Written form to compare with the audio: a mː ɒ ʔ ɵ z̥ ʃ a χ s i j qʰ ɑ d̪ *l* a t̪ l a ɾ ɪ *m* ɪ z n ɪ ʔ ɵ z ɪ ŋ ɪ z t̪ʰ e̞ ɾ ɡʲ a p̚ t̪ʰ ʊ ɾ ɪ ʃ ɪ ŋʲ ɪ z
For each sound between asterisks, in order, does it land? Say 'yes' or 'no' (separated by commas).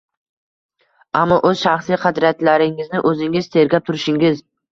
no, no